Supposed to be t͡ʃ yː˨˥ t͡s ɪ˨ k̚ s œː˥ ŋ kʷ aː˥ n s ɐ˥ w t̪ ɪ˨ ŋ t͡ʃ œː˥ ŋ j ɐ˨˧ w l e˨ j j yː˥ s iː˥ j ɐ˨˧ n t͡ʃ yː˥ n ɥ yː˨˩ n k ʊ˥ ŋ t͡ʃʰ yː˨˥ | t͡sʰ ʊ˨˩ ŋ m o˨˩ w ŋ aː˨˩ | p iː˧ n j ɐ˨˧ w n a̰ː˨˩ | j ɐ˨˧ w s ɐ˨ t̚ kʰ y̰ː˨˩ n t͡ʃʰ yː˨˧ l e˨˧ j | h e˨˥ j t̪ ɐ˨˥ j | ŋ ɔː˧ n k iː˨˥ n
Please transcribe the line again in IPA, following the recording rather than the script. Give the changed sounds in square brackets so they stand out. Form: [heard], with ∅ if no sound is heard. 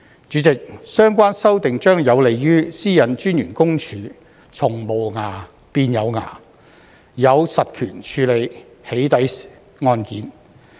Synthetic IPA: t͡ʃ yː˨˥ t͡s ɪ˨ k̚ s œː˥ ŋ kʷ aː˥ n s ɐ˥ w t̪ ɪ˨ ŋ t͡ʃ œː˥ ŋ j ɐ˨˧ w l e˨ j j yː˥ s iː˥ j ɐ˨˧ n t͡ʃ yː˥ n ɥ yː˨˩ n k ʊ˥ ŋ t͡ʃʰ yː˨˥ | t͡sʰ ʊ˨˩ ŋ m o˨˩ w ŋ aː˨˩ | p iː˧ n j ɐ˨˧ w [ŋ] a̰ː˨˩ | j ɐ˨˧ w s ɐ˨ t̚ kʰ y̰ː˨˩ n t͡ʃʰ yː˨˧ l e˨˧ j | h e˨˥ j t̪ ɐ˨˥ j | ŋ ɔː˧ n k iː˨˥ n